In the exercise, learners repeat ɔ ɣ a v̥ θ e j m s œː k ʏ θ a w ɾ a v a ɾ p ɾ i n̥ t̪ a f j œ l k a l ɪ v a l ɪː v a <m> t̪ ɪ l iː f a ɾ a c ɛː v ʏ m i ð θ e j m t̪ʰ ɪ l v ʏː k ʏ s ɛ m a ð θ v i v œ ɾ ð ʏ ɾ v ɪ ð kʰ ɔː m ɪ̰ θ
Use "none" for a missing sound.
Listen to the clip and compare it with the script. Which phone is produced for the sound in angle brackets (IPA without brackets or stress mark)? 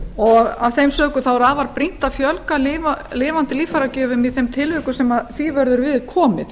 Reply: n